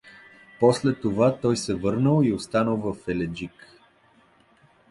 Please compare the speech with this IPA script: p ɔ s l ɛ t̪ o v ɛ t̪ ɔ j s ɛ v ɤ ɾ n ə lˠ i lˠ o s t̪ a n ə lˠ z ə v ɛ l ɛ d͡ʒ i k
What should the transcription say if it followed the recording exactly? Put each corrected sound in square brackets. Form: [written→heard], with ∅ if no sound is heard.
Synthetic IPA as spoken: p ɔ s l ɛ t̪ o v [ɛ→a] t̪ ɔ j s ɛ v ɤ ɾ n ə lˠ i [lˠ→∅] o s t̪ a n ə lˠ [z→v] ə [v→f] ɛ l ɛ d͡ʒ i k